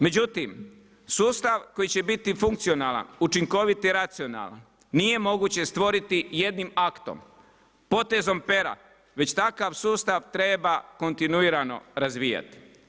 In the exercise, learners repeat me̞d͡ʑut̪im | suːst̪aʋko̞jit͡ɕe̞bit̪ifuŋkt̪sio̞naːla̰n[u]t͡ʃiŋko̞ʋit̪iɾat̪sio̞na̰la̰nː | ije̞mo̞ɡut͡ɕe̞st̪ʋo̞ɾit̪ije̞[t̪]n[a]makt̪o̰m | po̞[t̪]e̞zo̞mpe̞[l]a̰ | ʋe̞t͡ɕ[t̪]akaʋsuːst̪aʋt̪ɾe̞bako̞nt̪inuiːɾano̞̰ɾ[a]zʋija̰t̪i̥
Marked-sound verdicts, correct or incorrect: correct, incorrect: d̪, incorrect: i, correct, incorrect: ɾ, correct, correct

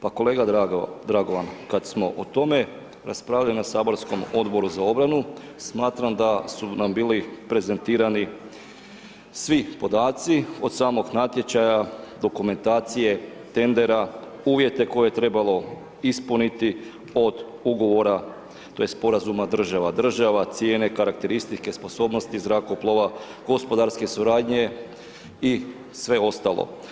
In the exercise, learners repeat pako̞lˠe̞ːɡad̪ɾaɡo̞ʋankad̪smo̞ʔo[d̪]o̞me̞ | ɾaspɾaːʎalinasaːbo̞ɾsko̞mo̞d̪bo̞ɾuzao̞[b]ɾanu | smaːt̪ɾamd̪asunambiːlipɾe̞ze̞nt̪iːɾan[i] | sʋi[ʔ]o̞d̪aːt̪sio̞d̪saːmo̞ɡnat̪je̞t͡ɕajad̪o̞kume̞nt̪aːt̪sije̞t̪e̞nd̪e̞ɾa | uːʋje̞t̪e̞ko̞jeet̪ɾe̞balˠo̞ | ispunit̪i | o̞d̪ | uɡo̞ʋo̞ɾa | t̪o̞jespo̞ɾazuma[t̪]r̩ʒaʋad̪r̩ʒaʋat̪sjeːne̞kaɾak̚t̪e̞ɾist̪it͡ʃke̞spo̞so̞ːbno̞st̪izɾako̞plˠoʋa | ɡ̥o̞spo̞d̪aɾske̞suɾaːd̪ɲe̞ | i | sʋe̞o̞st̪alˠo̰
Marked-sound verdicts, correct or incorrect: incorrect: t̪, correct, correct, incorrect: p, incorrect: d̪

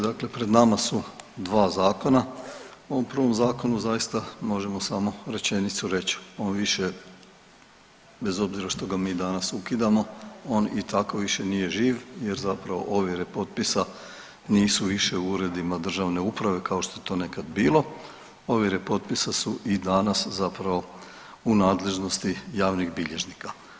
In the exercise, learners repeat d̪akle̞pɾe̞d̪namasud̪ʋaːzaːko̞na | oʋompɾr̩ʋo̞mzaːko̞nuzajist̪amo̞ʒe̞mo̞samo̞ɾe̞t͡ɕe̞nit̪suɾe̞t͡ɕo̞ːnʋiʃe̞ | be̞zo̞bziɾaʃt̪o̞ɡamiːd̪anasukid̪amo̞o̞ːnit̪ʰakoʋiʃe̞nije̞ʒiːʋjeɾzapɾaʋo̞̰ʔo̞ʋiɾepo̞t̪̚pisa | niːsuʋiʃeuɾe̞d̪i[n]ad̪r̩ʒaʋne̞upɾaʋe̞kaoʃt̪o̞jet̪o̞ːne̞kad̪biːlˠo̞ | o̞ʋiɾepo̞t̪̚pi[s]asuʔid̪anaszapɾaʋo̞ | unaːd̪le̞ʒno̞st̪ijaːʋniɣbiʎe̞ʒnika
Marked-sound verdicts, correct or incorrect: incorrect: m, correct

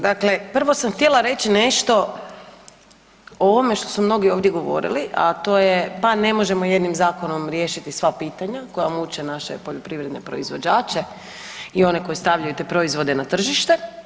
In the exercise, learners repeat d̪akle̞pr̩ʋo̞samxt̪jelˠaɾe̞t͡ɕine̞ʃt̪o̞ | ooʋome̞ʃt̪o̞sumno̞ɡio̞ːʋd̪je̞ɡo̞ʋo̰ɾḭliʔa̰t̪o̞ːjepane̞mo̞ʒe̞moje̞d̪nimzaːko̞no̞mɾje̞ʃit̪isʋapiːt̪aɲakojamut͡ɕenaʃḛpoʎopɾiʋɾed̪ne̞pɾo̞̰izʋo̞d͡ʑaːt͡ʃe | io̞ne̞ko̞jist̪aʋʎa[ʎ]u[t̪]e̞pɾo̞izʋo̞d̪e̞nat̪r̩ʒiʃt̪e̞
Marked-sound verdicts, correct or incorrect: incorrect: j, correct

